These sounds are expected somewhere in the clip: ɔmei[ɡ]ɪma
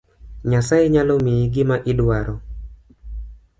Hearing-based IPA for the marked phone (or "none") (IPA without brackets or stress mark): ɡ